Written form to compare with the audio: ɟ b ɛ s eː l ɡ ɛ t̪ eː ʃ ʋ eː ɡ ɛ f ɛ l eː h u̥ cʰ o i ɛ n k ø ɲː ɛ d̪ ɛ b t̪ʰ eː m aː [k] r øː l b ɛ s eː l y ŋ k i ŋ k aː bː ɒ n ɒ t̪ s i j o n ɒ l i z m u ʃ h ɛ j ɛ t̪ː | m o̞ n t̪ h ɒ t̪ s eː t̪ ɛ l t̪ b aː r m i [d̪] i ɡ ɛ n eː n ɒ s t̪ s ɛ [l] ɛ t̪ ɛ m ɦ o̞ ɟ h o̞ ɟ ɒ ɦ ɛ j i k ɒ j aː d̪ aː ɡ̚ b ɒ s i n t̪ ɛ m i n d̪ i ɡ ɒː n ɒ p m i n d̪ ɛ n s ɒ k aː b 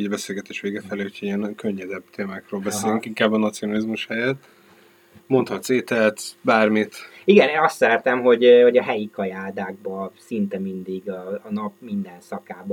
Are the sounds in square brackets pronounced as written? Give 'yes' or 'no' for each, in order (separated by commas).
yes, no, no